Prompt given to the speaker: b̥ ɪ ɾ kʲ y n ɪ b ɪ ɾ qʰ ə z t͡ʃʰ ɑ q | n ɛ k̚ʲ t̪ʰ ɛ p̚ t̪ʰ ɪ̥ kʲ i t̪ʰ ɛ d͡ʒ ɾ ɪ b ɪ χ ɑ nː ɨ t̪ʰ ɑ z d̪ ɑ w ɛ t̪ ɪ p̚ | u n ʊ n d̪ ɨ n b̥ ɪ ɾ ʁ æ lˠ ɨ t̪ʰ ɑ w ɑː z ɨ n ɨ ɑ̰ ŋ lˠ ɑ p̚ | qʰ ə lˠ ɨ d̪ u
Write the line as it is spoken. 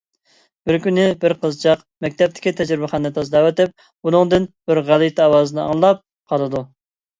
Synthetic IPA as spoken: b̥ ɪ ɾ kʲ y n ɪ b ɪ ɾ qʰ ə z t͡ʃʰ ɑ q | m ɛ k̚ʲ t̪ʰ ɛ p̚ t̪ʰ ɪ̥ kʲ i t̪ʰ ɛ d͡ʒ ɾ ɪ b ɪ χ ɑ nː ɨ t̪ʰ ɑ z d̪ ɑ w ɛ t̪ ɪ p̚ | u n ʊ ŋ d̪ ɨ n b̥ ɪ ɾ ʁ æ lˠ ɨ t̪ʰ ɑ w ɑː z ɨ n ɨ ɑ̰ ŋ lˠ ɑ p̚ | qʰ ɑ lˠ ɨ d̪ u

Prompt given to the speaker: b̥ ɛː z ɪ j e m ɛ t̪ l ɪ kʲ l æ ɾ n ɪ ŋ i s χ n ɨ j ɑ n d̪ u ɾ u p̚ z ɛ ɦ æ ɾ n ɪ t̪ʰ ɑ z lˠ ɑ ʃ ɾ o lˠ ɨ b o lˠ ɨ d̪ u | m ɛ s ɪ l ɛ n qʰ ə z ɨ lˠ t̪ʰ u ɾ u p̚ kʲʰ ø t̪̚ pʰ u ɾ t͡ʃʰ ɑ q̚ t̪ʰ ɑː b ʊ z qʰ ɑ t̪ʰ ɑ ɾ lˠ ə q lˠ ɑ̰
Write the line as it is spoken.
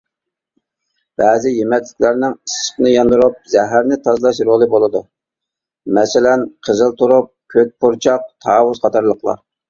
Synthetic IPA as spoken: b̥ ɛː z ɪ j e m ɛ t̪ l ɪ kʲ l æ ɾ n ɪ ŋ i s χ n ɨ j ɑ n d̪ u ɾ u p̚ z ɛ ɦ æ ɾ n ɪ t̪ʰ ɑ z lˠ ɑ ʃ ɾ o lˠ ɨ b o lˠ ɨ d̪ u | m ɛ s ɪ l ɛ n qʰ ə z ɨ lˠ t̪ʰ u ɾ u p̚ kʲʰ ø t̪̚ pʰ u ɾ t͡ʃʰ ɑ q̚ t̪ʰ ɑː w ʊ z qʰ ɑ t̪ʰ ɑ ɾ lˠ ə q lˠ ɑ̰

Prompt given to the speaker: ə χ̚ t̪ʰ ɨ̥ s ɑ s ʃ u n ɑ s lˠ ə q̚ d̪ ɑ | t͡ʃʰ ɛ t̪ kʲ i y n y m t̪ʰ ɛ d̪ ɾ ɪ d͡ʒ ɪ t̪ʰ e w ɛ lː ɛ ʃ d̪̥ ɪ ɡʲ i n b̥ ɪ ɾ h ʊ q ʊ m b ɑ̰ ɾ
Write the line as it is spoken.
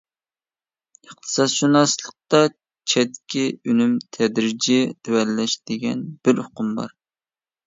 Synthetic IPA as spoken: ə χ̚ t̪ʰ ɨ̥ s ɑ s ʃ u n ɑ s lˠ ə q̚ t̪ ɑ | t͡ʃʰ ɛ t̪ kʲ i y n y m t̪ʰ ɛ d̪ ɾ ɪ d͡ʒ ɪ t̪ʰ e w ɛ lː ɛ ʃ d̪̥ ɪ ɡʲ ɛ n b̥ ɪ ɾ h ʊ q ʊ m b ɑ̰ ɾ

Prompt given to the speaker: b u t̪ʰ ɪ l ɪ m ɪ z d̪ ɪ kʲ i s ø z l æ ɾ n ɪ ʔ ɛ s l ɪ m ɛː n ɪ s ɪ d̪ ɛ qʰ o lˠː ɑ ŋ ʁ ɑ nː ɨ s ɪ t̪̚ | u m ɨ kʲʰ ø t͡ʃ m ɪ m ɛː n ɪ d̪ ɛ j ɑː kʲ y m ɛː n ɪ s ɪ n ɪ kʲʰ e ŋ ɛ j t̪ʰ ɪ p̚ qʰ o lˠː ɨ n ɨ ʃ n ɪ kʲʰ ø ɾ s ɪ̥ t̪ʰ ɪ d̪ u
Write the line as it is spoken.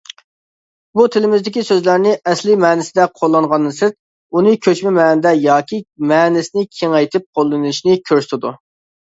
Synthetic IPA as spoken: b u t̪ʰ ɪ l ɪ m ɪ z d̪ ɪ kʲ i s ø z l æ ɾ n ɪ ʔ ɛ s l ɪ m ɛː n ɪ s ɪ d̪ ɛ qʰ o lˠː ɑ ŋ ʁ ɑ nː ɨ s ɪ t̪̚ | u n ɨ kʲʰ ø t͡ʃ m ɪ m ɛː n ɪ d̪ ɛ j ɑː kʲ i m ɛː n ɪ s ɪ n ɪ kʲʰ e ŋ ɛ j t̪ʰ ɪ p̚ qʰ o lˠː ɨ n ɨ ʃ n ɪ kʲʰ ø ɾ s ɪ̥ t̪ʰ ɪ d̪ u

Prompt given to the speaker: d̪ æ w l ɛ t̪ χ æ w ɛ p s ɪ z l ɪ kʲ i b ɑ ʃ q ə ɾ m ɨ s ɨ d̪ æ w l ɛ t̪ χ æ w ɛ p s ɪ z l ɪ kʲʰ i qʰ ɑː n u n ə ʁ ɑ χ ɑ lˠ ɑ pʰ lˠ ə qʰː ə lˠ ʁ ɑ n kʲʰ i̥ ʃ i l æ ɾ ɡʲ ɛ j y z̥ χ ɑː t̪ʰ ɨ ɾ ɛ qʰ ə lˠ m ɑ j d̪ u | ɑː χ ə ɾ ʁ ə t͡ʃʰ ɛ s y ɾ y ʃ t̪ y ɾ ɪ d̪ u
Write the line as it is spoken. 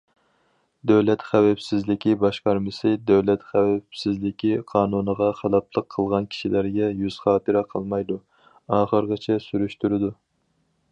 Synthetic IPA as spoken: d̪ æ w l ɛ t̪ χ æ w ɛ p s ɪ z l ɪ kʲ i b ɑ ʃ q ɑ ɾ m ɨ s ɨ d̪ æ w l ɛ t̪ χ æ w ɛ p s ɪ z l ɪ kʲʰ i qʰ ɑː n u n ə ʁ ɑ χ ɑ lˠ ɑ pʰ lˠ ə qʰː ə lˠ ʁ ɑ n kʲʰ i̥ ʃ i l æ ɾ ɡʲ ɛ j y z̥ χ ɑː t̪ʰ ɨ ɾ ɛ qʰ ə lˠ m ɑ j d̪ u | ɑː χ ə ɾ ʁ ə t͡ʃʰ ɛ s y ɾ y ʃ t̪ y ɾ ɪ d̪ u

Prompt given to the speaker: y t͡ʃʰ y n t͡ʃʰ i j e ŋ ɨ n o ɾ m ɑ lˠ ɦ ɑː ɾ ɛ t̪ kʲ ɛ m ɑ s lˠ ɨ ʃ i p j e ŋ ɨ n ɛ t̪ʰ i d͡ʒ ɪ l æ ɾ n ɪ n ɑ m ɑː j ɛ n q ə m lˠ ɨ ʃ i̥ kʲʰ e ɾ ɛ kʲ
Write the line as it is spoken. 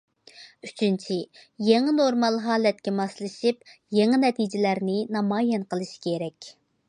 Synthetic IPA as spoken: y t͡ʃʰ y n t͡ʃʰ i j e ŋ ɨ n o ɾ m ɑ lˠ ɦ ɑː l ɛ t̪ kʲ ɛ m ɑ s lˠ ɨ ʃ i p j e ŋ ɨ n ɛ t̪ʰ i d͡ʒ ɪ l æ ɾ n ɪ n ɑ m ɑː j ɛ n q ə lˠ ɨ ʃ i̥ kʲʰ e ɾ ɛ kʲ

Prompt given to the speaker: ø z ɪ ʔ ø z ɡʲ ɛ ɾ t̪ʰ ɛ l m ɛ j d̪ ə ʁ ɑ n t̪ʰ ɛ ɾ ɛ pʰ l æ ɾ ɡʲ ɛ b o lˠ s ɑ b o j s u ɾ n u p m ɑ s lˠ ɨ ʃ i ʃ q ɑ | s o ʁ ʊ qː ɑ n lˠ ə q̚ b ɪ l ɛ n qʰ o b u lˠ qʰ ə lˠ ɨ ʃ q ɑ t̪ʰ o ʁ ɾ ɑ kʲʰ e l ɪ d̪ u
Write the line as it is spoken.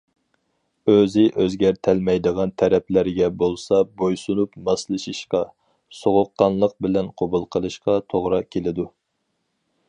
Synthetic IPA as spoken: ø z ɪ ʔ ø z ɡʲ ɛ ɾ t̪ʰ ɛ l m ɛ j d̪ ə ʁ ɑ n t̪ʰ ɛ ɾ ɛ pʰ l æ ɾ ɡʲ ɛ b o lˠ s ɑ b o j s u n u p m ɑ s lˠ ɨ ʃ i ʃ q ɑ | s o ʁ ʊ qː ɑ n lˠ ə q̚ b ɪ l ɛ n qʰ o b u lˠ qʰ ə lˠ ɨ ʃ q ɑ t̪ʰ o ʁ ɾ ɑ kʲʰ e l ɪ d̪ u

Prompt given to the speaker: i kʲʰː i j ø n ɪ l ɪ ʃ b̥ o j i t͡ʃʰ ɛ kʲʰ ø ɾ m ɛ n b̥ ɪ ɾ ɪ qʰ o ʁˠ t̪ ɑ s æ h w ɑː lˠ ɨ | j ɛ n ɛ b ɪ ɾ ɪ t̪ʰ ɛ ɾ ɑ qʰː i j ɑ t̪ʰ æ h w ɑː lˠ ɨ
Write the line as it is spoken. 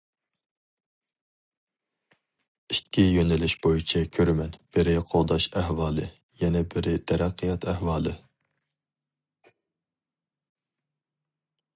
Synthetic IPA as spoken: i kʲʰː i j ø n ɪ l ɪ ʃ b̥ o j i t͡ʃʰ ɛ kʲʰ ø ɾ m ɛ n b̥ ɪ ɾ ɪ qʰ o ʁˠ d̪ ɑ ʃ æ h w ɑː lˠ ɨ | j ɛ n ɛ b ɪ ɾ ɪ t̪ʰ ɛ ɾ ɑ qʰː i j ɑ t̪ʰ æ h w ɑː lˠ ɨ

